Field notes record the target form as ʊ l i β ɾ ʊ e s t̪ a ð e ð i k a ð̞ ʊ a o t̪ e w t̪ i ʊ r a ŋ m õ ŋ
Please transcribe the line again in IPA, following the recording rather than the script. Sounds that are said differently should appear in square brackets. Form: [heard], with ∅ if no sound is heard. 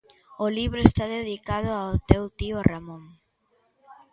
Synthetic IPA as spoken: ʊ l i β ɾ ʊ e s t̪ a ð e ð i k a ð̞ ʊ a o t̪ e w t̪ i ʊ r a [∅] m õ ŋ